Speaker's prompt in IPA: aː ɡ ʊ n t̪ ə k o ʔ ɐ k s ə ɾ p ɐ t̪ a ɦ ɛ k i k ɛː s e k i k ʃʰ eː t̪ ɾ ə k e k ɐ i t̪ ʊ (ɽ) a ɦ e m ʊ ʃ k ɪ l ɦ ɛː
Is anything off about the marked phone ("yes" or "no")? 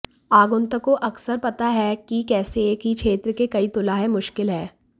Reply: yes